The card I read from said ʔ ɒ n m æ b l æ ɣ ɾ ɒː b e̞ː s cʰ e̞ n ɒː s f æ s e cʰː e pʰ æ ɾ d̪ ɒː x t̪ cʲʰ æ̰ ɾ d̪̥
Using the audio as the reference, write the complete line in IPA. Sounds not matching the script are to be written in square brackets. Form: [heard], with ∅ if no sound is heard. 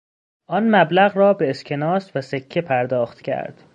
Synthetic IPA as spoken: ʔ ɒ n m æ b l æ ɣ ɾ ɒː b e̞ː s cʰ e̞ n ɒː s [v] æ s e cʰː e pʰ æ ɾ d̪ ɒː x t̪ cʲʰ æ̰ ɾ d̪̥